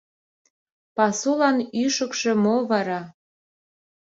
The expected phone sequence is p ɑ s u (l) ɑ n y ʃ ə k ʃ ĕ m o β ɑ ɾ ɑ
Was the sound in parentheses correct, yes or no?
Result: yes